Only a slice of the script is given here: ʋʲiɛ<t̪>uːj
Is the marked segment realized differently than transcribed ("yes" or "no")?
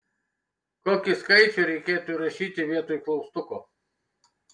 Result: no